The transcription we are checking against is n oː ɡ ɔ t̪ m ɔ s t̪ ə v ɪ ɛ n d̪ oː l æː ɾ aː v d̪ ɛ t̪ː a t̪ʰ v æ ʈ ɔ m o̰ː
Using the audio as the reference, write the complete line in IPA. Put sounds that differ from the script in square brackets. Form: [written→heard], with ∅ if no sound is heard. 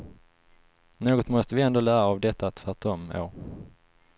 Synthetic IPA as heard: n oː ɡ ɔ t̪ m ɔ s t̪ ə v ɪ ɛ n d̪ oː l æː ɾ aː v d̪ ɛ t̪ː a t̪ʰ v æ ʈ ɔ m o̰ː